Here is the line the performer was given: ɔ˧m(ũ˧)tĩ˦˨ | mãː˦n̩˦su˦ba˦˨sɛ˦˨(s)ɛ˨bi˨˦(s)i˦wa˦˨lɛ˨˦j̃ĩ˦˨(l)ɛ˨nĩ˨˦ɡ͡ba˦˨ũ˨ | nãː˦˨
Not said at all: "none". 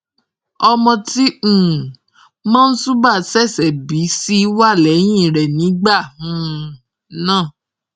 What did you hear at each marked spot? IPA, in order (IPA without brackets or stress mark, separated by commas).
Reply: ɔ̃˧, s, s, ɾ